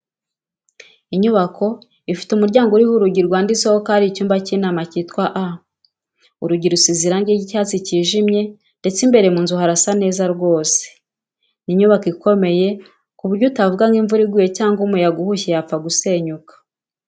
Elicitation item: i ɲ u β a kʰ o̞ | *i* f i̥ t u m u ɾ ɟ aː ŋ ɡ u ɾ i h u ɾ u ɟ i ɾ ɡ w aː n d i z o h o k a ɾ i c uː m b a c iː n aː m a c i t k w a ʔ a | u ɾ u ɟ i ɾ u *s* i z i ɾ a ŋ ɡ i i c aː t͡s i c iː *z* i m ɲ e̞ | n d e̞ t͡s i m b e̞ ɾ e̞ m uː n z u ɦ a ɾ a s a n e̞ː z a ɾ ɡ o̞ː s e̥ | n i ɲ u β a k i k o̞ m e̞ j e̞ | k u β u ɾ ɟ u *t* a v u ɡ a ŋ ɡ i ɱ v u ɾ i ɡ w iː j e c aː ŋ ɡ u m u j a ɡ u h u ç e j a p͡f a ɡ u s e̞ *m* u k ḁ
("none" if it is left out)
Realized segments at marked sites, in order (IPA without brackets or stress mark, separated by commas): i, s, ʒ, t, ɲ